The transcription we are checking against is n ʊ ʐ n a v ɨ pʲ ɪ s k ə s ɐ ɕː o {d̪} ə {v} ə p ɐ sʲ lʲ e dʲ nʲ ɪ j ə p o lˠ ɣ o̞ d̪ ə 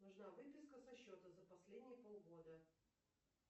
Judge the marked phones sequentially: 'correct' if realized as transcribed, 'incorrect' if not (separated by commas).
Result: incorrect, incorrect